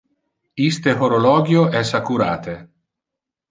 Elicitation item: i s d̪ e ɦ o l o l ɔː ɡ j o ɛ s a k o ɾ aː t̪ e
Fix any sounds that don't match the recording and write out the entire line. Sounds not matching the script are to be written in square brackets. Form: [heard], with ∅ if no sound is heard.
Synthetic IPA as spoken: i s [t̪] e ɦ o [ɾ] o l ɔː ɡ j o ɛ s a k [u] ɾ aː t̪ e